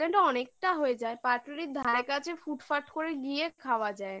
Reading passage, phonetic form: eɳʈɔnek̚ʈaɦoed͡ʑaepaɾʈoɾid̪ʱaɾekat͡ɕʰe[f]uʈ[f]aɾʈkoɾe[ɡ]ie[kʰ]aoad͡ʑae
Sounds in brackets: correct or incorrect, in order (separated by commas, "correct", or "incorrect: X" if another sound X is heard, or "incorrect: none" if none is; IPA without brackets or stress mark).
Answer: correct, correct, correct, correct